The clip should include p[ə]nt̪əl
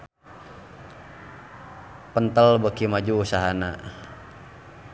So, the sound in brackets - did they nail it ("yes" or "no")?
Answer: yes